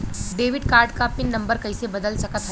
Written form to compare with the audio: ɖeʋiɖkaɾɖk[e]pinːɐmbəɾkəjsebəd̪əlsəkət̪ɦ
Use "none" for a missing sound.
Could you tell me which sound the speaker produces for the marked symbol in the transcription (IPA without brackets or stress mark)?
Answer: a